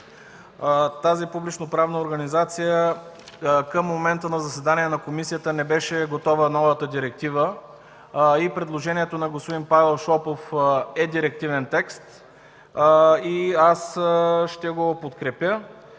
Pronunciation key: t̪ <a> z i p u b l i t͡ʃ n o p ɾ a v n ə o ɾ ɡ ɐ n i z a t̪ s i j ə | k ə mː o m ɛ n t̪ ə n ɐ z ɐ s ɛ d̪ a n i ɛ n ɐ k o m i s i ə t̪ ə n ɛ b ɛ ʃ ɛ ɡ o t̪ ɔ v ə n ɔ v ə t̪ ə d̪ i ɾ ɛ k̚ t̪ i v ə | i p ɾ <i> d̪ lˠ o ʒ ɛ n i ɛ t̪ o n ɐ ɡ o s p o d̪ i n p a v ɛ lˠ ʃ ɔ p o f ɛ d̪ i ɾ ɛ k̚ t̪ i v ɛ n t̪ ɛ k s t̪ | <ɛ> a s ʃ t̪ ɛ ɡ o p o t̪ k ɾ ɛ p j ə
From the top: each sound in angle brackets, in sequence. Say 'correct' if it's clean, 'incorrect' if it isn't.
correct, incorrect: ɛ, incorrect: i

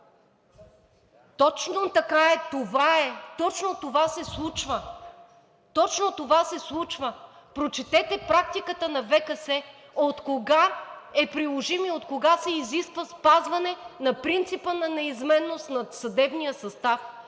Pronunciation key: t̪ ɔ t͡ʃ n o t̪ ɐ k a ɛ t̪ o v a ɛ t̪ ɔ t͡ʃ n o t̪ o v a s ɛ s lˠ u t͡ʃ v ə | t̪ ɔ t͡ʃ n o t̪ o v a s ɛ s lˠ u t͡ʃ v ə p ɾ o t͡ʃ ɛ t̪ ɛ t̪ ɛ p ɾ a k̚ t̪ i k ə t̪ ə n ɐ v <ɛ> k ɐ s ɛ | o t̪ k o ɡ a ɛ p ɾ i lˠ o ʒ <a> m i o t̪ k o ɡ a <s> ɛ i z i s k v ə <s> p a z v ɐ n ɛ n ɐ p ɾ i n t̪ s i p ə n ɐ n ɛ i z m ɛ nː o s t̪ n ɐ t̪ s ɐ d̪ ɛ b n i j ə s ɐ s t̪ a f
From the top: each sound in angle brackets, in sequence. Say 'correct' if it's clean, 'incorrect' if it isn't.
correct, incorrect: i, correct, correct

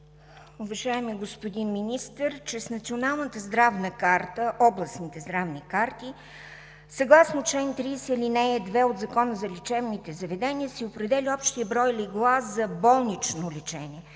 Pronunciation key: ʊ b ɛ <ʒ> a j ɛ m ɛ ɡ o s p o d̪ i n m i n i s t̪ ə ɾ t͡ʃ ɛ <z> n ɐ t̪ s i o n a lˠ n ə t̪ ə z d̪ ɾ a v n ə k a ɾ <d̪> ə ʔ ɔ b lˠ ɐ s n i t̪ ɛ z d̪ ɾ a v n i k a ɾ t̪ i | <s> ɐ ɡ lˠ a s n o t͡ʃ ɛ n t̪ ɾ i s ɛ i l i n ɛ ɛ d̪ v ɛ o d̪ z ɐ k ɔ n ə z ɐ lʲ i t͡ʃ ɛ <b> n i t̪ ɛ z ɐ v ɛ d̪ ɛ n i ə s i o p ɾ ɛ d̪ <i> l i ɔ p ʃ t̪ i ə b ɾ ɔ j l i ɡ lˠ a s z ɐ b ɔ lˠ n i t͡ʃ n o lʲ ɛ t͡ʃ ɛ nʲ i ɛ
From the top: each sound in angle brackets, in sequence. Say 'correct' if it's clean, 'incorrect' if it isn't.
correct, incorrect: s, incorrect: t̪, correct, incorrect: v, incorrect: ɛ

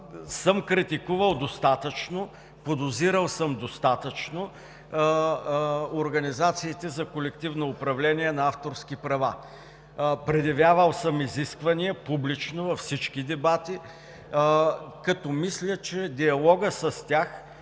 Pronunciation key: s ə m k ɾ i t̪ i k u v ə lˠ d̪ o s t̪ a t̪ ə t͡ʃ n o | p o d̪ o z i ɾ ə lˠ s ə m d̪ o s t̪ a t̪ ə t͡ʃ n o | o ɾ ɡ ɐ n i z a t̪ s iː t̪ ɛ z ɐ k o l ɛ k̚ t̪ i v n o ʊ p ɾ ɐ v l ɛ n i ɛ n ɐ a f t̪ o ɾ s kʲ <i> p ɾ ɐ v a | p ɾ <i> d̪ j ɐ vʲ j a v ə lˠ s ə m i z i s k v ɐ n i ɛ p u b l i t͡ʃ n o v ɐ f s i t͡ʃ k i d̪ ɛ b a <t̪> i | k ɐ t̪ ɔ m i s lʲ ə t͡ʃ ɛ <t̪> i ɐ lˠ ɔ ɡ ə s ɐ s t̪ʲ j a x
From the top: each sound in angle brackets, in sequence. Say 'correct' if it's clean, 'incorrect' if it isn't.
correct, incorrect: ɛ, correct, incorrect: d̪

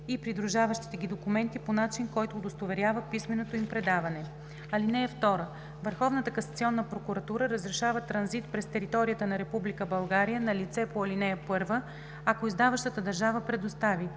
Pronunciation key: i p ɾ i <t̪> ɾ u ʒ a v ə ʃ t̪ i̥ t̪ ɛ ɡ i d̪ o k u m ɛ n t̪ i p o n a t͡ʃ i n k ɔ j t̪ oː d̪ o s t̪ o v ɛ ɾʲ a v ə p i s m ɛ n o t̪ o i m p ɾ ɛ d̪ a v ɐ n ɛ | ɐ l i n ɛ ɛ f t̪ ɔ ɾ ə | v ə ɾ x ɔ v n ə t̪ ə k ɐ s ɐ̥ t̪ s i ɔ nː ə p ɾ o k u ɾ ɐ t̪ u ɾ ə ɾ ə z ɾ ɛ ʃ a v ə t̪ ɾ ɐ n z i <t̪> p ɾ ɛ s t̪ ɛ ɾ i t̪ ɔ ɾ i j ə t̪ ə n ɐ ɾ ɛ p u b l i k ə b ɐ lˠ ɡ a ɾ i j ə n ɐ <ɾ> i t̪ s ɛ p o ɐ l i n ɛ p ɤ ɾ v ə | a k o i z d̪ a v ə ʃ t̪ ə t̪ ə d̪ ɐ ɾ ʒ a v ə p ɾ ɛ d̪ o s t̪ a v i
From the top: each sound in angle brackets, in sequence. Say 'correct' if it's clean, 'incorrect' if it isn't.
incorrect: d̪, correct, incorrect: l

